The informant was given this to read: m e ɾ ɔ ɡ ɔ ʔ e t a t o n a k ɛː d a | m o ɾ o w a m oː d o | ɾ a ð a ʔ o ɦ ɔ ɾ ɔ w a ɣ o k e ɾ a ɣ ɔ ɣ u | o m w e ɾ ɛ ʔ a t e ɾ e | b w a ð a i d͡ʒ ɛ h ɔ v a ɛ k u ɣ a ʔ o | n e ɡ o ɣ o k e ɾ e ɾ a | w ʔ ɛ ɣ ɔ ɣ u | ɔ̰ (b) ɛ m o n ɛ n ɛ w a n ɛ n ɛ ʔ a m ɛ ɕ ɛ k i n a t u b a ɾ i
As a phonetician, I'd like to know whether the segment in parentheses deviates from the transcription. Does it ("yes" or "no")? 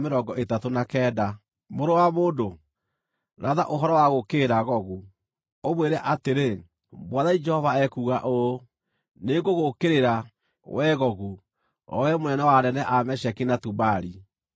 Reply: yes